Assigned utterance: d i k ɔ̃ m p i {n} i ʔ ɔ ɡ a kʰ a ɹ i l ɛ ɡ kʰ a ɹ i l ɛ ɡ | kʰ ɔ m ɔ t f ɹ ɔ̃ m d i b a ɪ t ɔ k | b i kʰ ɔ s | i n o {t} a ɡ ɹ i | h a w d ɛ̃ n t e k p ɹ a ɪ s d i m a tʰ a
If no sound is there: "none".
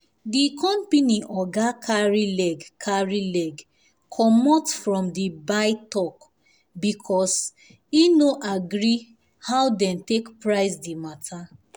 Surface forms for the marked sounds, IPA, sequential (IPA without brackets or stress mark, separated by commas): n, ʔ